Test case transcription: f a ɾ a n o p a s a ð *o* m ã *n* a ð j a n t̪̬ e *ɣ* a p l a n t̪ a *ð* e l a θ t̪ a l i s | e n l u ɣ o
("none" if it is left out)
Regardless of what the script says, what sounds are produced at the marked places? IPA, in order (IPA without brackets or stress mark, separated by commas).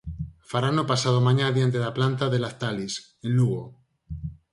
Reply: o, ɲ, ð, ð